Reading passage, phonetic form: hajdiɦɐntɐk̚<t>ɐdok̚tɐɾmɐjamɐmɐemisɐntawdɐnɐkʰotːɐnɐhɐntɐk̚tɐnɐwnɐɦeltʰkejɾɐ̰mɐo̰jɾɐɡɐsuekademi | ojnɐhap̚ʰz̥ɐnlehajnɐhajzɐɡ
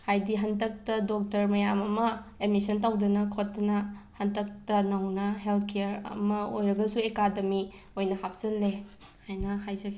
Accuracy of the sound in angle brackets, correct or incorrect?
correct